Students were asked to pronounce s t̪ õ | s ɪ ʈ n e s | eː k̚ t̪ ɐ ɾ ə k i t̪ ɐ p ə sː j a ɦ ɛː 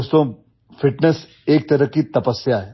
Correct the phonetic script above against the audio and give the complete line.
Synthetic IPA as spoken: s t̪ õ | f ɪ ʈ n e s | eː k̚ t̪ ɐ ɾ ə k i t̪ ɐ p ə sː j a ɦ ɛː